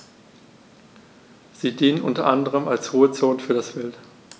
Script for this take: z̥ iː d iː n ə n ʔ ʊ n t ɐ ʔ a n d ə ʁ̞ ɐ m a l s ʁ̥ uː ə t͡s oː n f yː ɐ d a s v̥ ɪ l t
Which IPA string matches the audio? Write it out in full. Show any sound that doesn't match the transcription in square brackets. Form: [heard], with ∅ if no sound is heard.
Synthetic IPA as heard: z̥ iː d iː n ə n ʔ ʊ n t ɐ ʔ a n d ə ʁ̞ [ə] m a l s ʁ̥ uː ə t͡s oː n f yː ɐ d a s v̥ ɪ l t